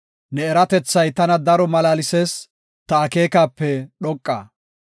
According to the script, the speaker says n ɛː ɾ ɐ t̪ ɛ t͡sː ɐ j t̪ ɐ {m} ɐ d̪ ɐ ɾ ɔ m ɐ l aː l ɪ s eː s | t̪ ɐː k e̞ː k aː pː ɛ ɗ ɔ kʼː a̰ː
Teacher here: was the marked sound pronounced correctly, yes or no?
no